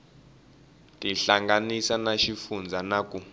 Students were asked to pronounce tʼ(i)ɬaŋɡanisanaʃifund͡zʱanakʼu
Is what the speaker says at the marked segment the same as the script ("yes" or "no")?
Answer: yes